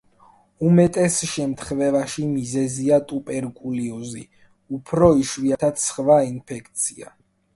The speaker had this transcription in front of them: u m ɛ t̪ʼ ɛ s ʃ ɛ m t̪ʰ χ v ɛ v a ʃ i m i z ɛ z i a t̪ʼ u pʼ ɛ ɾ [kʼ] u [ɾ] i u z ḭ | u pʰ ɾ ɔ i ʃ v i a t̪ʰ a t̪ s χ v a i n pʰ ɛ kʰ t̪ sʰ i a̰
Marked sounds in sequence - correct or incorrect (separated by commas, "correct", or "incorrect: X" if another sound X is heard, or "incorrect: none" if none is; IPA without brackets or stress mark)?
correct, incorrect: l